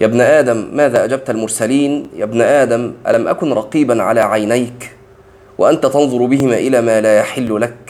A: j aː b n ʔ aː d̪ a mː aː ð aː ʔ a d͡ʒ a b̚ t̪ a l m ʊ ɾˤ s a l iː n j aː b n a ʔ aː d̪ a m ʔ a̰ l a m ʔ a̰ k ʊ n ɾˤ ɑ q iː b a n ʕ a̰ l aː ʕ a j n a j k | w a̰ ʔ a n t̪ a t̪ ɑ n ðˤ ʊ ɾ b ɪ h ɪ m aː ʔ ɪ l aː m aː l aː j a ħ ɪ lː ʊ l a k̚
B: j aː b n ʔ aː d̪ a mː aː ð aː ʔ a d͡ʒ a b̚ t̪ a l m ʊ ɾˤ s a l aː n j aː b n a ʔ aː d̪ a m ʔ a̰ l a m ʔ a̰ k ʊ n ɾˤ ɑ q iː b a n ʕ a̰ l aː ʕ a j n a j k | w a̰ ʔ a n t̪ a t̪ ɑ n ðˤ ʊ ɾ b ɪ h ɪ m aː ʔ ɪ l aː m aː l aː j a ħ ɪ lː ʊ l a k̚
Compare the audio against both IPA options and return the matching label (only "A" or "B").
A